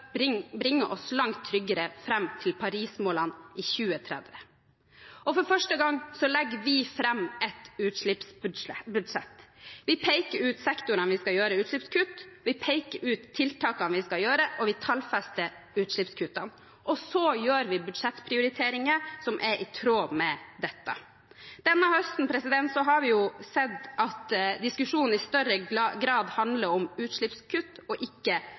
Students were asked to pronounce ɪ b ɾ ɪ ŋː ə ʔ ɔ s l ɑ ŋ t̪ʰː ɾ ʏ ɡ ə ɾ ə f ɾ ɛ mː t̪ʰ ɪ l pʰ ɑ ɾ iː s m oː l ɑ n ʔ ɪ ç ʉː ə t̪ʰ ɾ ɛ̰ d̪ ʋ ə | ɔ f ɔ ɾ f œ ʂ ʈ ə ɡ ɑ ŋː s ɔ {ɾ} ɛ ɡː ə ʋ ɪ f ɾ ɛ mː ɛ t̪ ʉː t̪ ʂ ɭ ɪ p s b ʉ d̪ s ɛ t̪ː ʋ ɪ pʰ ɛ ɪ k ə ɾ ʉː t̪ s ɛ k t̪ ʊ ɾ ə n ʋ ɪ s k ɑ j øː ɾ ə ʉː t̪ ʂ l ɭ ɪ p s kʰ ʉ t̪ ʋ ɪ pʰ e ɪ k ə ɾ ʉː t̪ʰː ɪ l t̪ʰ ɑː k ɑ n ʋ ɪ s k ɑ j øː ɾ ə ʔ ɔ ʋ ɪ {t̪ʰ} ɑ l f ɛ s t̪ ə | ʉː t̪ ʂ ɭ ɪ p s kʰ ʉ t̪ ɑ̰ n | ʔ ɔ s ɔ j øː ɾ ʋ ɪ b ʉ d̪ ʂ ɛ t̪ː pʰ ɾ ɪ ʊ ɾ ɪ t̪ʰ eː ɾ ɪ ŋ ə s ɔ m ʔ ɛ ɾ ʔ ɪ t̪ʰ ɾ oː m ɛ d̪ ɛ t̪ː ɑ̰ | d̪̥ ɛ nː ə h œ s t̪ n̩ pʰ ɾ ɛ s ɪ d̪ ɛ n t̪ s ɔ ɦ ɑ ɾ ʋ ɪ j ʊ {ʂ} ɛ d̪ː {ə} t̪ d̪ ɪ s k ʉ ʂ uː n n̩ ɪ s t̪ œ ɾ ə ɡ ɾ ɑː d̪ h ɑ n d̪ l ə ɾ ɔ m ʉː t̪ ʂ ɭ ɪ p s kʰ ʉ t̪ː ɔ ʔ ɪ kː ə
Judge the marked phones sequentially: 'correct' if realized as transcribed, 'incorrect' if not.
incorrect: l, correct, incorrect: s, incorrect: ɑ

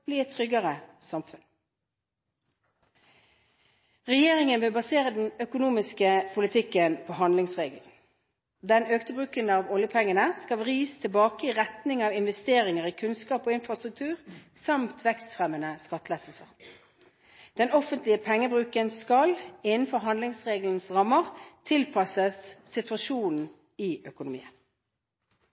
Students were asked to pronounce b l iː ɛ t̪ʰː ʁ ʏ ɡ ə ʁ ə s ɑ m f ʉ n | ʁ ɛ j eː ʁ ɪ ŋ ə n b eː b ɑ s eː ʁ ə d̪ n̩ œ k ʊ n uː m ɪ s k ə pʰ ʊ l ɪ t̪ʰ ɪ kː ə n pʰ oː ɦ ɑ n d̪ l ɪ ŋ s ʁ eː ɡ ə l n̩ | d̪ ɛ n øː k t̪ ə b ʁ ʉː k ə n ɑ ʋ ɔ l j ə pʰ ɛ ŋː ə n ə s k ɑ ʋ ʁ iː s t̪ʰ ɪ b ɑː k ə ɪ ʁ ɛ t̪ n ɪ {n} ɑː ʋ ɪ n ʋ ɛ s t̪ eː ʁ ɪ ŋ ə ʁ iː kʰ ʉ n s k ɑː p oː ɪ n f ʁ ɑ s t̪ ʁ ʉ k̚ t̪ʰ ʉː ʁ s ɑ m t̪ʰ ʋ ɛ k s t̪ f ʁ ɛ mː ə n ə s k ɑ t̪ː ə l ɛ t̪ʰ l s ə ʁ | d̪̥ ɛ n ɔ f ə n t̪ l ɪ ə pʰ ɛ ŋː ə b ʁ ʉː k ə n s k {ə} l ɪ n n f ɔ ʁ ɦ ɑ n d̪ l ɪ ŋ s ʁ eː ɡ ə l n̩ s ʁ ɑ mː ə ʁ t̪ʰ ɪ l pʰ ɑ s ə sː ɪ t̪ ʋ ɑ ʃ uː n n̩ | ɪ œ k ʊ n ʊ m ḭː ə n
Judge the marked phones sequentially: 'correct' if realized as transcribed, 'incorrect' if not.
incorrect: ŋ, incorrect: ɑ

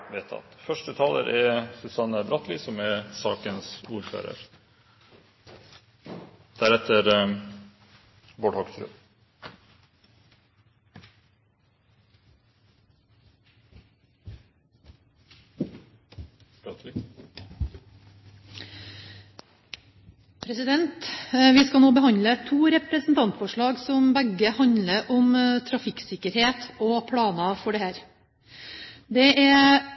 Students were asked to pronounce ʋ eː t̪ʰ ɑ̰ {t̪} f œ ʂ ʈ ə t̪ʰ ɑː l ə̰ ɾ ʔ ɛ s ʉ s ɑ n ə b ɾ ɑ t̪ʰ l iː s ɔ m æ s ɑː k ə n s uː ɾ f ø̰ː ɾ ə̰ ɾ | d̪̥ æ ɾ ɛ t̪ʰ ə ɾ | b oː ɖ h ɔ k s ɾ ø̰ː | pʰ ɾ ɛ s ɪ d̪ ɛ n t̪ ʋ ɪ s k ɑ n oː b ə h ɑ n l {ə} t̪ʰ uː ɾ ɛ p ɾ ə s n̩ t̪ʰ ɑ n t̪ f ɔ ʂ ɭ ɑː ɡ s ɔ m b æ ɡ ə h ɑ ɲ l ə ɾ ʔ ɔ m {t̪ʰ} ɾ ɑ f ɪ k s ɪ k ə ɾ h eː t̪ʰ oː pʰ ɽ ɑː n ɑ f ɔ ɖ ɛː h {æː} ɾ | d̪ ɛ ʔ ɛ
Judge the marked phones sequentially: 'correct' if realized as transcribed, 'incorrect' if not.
correct, correct, correct, correct

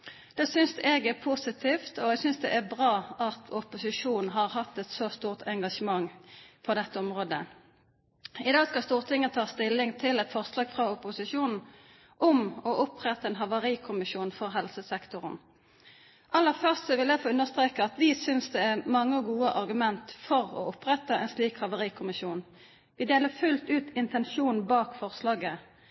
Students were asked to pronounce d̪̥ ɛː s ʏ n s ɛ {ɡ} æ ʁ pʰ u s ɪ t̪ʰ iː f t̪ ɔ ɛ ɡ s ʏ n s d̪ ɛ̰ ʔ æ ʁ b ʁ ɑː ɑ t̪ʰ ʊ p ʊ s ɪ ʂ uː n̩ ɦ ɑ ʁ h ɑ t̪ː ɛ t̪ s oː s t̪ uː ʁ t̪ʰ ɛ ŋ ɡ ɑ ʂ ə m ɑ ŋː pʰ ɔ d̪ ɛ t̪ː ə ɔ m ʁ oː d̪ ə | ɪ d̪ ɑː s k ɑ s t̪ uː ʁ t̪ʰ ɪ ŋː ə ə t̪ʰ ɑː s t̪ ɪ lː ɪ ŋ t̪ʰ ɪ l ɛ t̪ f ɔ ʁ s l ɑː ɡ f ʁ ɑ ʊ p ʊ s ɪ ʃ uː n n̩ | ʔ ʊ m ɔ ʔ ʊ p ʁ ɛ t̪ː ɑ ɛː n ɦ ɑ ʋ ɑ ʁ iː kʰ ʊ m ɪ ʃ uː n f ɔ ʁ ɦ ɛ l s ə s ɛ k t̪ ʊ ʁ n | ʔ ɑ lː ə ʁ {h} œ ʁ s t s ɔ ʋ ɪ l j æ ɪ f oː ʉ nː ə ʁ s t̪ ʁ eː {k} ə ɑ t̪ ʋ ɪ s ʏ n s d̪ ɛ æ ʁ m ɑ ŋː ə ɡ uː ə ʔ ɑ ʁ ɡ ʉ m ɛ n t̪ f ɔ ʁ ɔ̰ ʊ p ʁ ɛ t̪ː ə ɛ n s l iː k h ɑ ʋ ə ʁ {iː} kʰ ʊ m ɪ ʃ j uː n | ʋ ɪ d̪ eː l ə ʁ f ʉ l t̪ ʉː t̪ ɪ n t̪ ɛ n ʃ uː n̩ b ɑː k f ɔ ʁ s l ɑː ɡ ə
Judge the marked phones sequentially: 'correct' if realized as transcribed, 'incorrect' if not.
correct, incorrect: f, correct, correct

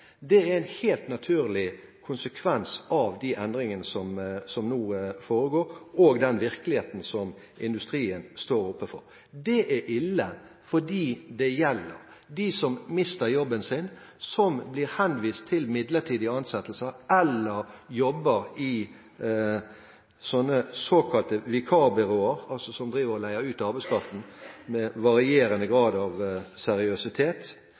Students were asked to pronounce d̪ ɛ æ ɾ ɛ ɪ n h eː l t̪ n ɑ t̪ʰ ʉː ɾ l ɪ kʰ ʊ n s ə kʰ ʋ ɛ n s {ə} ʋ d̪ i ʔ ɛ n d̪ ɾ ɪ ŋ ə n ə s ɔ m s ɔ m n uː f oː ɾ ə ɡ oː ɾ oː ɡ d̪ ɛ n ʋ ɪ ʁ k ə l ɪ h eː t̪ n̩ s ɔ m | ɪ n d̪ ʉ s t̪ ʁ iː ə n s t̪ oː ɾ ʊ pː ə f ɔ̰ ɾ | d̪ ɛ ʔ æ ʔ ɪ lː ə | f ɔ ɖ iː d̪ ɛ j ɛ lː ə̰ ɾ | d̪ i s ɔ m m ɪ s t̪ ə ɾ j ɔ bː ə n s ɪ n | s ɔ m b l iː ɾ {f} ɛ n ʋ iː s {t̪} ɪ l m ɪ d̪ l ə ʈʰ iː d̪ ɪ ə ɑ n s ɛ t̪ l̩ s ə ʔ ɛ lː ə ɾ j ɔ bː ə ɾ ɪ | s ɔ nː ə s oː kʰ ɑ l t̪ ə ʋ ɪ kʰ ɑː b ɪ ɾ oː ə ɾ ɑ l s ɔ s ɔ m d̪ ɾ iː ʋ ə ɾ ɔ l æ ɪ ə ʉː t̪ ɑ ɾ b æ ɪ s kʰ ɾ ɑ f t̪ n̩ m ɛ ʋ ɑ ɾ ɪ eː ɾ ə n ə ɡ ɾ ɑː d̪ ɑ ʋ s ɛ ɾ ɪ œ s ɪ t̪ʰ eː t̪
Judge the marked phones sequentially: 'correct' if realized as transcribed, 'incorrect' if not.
incorrect: ɑ, incorrect: h, incorrect: t̪ʰ

